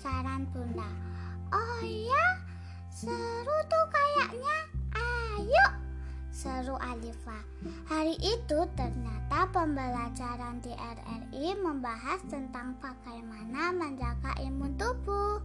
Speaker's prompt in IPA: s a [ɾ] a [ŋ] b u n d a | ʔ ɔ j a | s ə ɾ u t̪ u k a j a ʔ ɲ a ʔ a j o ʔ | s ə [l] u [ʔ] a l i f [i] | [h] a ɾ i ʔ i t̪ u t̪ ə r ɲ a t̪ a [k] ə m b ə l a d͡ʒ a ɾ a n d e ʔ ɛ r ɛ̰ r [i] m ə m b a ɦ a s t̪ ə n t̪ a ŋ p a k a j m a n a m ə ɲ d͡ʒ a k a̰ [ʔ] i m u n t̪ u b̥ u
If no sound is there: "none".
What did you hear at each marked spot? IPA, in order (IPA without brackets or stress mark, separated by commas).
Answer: ɾ, n, ɾ, ʔ, a, h, p, i, ʔ